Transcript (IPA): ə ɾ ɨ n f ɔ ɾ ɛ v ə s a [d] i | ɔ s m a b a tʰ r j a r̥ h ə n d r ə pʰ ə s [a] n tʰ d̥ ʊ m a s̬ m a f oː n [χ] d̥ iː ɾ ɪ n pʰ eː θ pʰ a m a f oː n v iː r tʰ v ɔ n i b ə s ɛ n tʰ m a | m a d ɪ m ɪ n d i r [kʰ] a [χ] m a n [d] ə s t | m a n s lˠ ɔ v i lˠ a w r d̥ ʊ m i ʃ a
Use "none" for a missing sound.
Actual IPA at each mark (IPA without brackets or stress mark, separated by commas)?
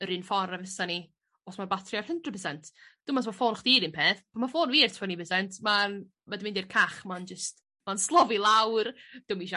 n, ɛ, χ, kʰ, χ, d͡ʒ